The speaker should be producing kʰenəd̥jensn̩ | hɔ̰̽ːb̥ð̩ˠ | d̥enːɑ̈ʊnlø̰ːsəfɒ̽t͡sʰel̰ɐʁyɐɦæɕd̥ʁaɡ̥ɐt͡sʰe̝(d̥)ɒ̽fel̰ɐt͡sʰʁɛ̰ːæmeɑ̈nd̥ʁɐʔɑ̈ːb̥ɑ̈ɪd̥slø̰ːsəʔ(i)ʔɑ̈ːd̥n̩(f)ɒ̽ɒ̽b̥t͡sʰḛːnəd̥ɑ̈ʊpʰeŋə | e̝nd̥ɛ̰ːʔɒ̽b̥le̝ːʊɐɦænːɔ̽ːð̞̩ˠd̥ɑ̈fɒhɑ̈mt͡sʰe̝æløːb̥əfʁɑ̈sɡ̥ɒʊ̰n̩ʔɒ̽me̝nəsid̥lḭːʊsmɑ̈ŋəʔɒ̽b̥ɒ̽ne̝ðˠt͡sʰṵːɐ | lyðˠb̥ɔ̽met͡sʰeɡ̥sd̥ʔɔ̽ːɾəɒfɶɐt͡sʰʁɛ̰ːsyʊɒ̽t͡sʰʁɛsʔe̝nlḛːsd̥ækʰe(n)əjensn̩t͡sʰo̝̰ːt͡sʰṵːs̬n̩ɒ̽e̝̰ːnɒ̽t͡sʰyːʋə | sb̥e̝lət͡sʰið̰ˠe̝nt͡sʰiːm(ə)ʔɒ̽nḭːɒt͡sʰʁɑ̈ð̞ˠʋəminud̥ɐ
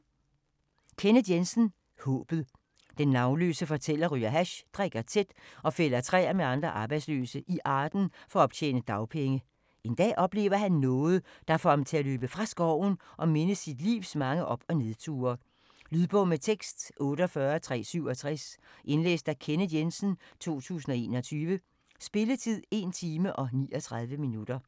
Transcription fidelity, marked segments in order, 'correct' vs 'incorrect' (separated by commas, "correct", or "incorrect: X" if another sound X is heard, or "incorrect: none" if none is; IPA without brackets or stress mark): correct, correct, correct, correct, correct